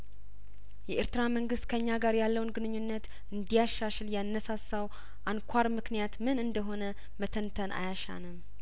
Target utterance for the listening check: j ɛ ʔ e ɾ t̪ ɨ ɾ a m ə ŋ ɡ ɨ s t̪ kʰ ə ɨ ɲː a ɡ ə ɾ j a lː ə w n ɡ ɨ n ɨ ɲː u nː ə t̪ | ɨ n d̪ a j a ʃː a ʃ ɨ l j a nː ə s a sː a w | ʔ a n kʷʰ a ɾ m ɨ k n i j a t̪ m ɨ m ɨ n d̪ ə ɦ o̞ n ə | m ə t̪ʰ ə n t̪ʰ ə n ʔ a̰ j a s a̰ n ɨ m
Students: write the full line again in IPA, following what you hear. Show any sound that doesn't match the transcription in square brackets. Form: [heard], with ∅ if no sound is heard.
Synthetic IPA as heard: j ɛ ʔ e ɾ t̪ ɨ ɾ a m ə ŋ ɡ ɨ s t̪ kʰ ə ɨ ɲː a ɡ [a] ɾ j a lː ə w n ɡ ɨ n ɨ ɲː u nː ə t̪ | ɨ n d̪ [i] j a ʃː a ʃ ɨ l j a nː ə s a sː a w | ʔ a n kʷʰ a ɾ m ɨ k n i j a t̪ m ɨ [n] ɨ n d̪ ə ɦ o̞ n ə | m ə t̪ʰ ə n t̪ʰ ə n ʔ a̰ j a [ʃ] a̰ n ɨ m